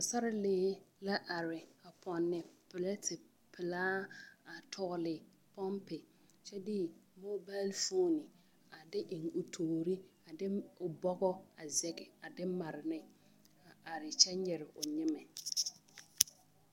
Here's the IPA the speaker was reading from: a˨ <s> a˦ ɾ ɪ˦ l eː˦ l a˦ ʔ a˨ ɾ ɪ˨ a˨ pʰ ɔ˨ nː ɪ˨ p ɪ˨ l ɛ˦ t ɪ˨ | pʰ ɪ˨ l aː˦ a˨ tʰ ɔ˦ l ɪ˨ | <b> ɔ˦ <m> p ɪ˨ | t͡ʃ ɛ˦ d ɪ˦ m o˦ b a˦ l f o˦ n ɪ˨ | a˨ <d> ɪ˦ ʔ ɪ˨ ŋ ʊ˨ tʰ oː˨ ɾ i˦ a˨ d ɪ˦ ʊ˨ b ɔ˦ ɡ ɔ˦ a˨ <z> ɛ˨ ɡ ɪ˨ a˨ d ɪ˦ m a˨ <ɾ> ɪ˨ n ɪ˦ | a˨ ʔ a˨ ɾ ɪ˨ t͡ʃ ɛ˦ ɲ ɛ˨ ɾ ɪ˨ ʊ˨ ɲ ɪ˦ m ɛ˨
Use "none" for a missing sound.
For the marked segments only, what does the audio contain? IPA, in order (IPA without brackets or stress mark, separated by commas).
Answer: s, p, m, d, z, ɾ